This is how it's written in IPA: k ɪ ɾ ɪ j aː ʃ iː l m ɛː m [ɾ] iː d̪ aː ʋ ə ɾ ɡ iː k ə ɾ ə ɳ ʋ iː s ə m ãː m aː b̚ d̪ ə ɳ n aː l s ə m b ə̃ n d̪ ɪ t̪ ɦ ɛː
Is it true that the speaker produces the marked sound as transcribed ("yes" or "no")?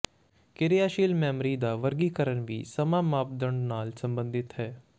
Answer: yes